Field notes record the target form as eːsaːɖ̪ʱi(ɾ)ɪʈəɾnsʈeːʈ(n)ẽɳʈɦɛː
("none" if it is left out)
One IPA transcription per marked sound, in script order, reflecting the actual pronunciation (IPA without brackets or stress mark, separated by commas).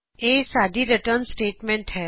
ɾ, m